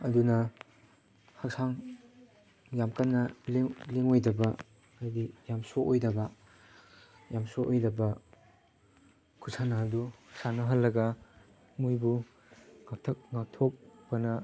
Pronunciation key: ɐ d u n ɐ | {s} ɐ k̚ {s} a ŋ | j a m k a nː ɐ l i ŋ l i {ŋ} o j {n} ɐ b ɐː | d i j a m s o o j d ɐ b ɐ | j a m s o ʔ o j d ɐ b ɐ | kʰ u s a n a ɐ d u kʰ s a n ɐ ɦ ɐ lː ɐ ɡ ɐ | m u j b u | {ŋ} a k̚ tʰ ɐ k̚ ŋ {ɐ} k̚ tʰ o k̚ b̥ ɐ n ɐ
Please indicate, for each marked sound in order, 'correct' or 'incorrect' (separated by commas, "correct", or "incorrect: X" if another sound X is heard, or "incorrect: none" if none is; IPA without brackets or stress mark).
incorrect: h, correct, correct, incorrect: d, correct, incorrect: a